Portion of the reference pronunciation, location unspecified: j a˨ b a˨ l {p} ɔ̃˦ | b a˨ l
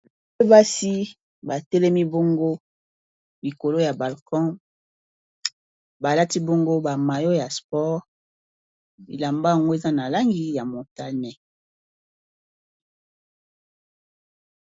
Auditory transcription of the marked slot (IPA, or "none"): k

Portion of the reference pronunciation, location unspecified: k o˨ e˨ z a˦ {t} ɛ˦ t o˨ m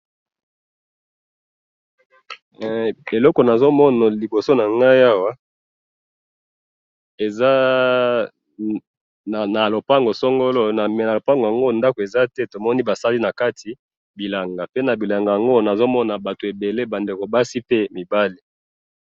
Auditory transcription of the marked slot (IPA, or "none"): t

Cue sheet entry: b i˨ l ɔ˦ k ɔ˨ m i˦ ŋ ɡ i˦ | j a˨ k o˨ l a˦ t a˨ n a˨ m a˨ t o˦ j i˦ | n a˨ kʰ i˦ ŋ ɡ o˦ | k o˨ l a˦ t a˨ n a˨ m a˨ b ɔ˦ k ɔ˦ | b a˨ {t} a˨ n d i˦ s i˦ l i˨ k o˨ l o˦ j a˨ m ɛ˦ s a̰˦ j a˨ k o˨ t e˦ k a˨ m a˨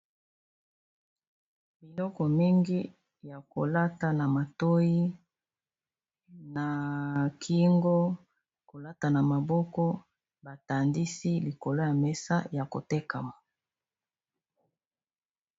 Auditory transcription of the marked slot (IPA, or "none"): t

